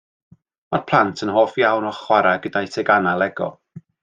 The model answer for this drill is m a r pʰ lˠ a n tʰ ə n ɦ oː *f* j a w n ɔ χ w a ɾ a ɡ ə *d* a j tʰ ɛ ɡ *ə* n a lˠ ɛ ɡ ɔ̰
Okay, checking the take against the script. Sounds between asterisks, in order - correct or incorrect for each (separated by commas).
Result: correct, correct, incorrect